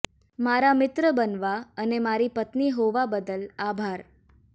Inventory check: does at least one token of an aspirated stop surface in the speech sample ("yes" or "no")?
no